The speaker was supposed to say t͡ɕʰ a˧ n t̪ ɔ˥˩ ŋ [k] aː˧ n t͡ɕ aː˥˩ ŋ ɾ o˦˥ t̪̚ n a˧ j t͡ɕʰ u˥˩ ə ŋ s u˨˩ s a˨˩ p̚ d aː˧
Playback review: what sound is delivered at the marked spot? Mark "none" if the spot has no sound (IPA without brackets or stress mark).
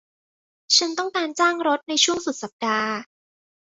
k